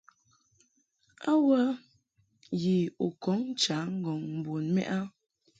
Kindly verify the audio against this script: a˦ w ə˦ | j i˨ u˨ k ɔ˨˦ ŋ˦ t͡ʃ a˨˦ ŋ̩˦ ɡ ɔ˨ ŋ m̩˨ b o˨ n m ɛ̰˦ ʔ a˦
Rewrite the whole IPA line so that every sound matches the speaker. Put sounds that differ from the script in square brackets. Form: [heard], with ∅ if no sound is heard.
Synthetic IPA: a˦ w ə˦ | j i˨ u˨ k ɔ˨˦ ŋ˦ t͡ʃ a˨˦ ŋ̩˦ ɡ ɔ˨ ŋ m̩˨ b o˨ n m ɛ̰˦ ʔ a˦